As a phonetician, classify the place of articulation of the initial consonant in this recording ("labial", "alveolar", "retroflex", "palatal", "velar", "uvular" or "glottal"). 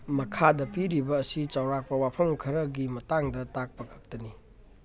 labial